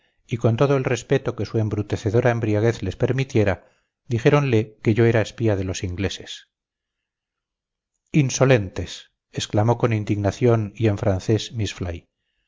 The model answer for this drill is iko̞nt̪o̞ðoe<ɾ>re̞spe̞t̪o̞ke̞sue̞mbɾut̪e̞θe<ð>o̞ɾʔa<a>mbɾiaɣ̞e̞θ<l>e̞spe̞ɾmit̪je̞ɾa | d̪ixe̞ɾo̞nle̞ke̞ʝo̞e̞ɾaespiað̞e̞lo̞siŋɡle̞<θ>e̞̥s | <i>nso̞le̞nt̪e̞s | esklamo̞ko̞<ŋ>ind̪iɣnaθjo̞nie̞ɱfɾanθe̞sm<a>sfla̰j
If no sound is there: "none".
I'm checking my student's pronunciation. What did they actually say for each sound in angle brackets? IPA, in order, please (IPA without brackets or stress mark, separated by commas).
l, ð, e, l, s, i, n, i